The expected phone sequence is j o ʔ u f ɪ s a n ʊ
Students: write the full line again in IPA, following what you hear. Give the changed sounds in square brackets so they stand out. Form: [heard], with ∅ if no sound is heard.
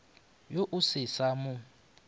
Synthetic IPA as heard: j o ʔ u [s] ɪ s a [m] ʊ